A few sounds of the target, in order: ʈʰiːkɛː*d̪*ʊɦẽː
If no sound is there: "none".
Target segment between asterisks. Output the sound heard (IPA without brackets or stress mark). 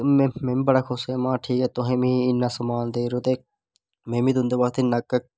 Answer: t̪